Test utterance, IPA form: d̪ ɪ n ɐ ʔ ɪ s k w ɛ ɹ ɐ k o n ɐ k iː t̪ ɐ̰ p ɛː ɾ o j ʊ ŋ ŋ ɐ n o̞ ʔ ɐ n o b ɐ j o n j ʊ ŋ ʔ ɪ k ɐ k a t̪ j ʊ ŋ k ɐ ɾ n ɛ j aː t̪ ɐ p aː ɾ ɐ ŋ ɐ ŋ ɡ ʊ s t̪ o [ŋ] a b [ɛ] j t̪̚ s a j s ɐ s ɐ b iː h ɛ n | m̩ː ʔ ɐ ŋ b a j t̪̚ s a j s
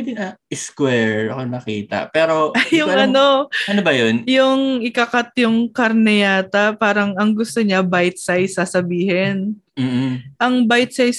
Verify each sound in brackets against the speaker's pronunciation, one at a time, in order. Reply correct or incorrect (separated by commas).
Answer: incorrect, incorrect